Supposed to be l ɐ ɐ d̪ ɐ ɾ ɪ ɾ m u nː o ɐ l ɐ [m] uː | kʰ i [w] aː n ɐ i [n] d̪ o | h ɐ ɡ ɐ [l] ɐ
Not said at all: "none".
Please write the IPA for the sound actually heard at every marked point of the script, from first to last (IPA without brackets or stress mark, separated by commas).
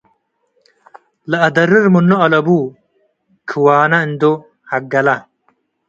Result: b, w, n, l